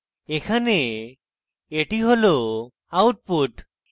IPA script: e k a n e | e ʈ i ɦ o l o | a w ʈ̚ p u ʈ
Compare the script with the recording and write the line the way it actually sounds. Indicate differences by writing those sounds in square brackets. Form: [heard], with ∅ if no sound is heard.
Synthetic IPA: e [kʰ] a n e | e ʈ i ɦ o l o | a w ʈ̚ p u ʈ